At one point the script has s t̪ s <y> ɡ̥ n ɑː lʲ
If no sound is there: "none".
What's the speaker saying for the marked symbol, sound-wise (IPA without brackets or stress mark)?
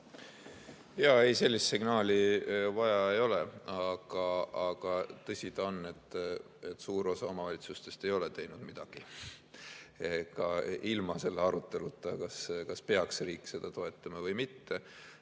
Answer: i